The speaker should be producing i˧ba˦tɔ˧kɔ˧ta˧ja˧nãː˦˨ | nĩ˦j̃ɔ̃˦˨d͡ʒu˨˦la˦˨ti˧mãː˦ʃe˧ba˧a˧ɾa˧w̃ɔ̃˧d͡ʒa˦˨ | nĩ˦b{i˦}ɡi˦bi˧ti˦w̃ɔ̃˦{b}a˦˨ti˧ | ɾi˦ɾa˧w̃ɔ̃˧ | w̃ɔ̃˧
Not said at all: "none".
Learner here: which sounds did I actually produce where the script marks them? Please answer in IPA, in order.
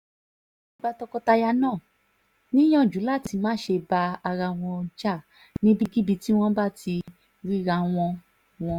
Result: i˦, b

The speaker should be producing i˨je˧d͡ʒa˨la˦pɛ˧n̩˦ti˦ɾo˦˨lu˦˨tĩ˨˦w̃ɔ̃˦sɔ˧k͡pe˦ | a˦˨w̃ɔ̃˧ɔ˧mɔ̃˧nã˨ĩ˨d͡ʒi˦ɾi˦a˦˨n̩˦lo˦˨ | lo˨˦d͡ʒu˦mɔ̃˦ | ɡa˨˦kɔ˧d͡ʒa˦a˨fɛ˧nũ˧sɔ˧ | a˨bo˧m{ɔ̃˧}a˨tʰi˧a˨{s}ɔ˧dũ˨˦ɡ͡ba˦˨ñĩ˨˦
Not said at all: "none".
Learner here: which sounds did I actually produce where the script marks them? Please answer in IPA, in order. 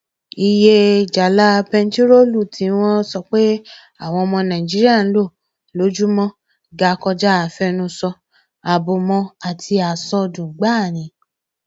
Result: ɔ̃˧, s

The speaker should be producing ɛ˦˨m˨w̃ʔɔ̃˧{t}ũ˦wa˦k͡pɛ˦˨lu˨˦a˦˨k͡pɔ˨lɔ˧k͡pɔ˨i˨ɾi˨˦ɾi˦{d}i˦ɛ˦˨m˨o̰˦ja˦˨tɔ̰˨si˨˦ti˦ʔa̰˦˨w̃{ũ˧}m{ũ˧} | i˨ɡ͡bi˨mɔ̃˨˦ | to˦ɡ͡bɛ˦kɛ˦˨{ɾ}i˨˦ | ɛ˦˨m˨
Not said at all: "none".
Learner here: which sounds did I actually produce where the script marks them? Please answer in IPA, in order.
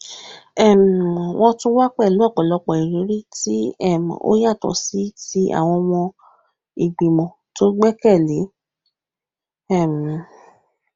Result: t, t, ɔ̃˧, ɔ̃˧, l

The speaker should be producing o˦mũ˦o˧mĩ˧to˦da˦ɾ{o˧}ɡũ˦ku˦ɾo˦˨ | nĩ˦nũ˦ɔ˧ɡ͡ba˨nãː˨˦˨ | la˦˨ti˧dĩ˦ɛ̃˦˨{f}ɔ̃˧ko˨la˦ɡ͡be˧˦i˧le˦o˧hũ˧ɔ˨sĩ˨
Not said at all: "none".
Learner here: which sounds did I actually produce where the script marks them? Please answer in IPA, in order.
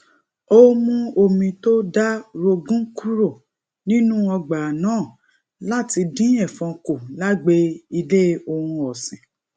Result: o˧, f

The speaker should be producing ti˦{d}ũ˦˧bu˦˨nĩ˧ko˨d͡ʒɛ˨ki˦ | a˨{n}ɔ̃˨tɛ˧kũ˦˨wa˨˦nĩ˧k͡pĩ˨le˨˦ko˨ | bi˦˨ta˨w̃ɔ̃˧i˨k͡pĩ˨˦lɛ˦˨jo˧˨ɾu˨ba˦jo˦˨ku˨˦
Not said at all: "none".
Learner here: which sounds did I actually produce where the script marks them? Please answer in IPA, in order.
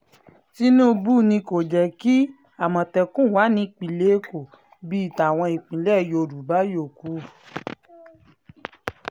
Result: n, m

